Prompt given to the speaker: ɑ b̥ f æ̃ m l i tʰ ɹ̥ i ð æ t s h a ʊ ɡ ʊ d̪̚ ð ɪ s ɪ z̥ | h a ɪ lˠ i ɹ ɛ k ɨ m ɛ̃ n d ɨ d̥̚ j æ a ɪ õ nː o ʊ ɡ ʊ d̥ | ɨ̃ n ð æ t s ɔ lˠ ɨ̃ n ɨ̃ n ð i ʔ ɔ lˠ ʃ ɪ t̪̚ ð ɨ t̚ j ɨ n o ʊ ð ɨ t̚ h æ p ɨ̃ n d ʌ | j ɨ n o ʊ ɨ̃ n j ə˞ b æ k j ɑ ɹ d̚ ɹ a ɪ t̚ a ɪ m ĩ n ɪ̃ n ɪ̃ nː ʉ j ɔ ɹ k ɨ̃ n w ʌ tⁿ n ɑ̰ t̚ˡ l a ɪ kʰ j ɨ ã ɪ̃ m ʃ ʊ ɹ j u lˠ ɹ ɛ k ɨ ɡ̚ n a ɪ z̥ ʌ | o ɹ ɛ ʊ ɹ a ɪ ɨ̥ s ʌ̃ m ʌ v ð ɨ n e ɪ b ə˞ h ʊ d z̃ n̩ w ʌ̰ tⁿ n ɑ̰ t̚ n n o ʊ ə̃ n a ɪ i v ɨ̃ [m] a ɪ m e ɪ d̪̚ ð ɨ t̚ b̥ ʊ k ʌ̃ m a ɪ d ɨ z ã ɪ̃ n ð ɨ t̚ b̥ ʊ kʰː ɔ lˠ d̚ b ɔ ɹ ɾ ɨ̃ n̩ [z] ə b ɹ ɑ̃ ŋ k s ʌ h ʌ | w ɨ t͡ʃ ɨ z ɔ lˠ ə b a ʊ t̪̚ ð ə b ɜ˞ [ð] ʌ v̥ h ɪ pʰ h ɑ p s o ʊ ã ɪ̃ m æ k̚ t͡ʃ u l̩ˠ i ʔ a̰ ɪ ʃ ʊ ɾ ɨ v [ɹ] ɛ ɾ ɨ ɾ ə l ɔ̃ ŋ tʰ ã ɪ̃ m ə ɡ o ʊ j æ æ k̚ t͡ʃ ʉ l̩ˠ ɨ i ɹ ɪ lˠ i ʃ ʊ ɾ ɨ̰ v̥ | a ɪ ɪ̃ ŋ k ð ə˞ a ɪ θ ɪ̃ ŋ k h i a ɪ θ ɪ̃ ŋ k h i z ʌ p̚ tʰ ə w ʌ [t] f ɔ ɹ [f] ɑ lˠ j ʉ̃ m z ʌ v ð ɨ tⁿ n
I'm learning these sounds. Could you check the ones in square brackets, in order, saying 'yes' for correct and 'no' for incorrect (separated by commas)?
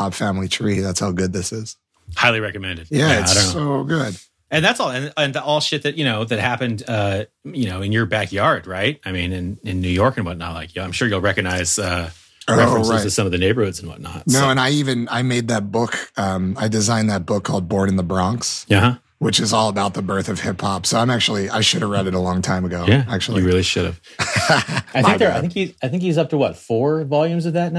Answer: no, no, no, yes, yes, no